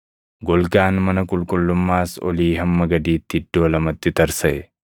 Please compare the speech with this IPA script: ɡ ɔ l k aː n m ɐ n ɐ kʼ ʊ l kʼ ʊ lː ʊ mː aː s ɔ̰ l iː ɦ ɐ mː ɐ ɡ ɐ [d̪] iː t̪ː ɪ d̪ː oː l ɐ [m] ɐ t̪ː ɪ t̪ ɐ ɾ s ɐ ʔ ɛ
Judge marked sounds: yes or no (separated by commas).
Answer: yes, yes